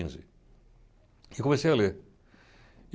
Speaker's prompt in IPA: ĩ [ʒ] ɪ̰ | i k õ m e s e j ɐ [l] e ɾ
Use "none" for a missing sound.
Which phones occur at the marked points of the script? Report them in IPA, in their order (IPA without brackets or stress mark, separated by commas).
z, l